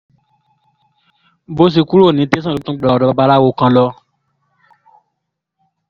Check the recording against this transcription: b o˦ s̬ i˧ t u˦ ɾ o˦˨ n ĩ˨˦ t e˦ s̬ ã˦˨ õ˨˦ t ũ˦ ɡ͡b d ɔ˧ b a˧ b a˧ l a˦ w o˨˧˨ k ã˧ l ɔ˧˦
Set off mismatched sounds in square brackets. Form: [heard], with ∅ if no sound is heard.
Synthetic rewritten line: b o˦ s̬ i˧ [k] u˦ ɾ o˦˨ n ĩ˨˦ t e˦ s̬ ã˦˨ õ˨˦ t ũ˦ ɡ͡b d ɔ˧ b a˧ b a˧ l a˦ w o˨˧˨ k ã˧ l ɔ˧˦

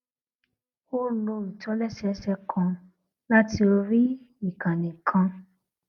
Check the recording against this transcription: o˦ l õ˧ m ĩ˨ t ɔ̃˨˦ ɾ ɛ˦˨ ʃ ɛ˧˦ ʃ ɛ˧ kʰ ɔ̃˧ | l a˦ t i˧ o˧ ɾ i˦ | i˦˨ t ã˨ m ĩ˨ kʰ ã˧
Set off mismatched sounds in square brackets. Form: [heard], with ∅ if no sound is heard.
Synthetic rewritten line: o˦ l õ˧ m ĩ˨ t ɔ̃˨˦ [l] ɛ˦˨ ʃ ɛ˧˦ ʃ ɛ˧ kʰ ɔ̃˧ | l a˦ t i˧ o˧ ɾ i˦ | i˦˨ [k] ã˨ [n] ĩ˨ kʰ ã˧

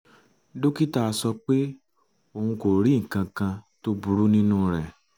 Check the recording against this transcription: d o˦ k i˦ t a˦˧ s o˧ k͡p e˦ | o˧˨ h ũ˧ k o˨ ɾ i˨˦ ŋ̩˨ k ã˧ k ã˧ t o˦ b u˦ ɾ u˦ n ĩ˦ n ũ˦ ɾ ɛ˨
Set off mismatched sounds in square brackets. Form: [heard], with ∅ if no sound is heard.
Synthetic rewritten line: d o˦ k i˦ t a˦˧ s [ɔ˧] k͡p e˦ | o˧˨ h ũ˧ k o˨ ɾ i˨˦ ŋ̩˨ k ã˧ k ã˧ t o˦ b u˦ ɾ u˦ n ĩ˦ n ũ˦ ɾ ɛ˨

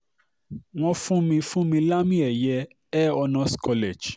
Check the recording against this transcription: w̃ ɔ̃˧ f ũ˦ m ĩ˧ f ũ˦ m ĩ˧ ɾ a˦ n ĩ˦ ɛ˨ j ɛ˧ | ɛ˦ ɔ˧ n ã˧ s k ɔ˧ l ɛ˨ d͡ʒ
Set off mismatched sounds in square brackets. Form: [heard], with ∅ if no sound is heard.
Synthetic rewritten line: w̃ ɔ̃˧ f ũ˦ m ĩ˧ f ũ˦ m ĩ˧ [l] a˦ [m] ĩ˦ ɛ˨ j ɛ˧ | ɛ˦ ɔ˧ n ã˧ s k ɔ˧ l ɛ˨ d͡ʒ

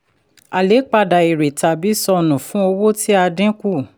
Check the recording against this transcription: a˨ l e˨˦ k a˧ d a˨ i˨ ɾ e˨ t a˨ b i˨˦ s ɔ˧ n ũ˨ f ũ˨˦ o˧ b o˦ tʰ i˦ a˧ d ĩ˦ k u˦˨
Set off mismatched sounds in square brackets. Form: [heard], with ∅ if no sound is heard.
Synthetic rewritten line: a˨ l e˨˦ [k͡p] a˧ d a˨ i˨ ɾ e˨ t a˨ b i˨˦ s ɔ˧ n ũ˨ f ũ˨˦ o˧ [w] o˦ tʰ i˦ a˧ d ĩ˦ k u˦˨

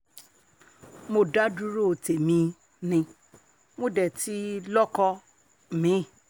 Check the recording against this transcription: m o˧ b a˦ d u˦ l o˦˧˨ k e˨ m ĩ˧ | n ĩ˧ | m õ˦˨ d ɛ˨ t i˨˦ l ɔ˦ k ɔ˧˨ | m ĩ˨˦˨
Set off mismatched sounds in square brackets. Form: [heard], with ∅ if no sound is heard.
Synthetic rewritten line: m o˧ [d] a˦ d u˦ [ɾ] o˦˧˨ [t] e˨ m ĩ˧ | n ĩ˧ | m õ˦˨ d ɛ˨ t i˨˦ l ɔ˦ k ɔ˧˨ | m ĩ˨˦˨

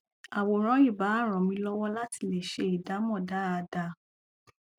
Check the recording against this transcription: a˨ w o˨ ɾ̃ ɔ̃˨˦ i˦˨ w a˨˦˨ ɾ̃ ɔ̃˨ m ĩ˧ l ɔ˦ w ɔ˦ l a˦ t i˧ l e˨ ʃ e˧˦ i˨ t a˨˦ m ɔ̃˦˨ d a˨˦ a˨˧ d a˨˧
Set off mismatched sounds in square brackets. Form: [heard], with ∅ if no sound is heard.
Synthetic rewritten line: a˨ w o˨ ɾ̃ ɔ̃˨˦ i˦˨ [b] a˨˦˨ ɾ̃ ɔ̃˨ m ĩ˧ l ɔ˦ w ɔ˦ l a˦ t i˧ l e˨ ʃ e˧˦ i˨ [d] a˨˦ m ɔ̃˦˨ d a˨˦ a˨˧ d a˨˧

